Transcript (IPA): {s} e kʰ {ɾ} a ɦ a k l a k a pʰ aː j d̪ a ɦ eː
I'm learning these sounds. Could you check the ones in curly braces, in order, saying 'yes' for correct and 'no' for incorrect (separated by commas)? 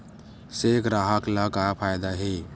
yes, yes